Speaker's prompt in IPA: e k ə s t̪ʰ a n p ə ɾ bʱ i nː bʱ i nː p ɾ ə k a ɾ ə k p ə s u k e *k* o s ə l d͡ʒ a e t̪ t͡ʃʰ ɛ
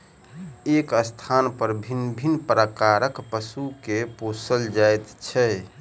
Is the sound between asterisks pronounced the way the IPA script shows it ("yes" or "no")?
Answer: no